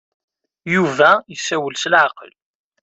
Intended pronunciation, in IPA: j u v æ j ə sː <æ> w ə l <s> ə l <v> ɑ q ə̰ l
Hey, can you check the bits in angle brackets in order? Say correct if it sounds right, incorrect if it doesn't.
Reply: correct, correct, incorrect

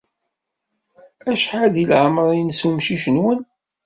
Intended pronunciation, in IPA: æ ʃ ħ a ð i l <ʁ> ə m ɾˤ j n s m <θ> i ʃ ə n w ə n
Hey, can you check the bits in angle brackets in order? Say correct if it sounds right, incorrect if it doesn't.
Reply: incorrect, incorrect

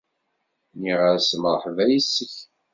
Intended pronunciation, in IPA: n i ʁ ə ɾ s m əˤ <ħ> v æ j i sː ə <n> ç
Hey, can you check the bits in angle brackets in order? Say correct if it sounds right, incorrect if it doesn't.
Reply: correct, incorrect

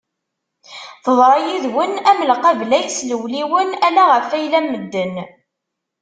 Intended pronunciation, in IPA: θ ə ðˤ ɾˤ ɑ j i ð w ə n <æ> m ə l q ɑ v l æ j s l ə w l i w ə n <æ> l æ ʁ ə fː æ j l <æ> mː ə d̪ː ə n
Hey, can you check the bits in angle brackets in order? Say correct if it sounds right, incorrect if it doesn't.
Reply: correct, correct, correct

